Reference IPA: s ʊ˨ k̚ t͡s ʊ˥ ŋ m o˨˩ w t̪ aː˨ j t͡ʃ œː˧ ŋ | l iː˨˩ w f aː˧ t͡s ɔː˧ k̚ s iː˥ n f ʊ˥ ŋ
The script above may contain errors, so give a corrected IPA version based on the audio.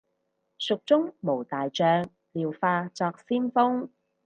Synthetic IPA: s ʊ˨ k̚ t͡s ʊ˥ ŋ m o˨˩ w t̪ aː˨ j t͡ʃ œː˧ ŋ | l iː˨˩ w f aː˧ t͡s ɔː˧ k̚ s iː˥ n f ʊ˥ ŋ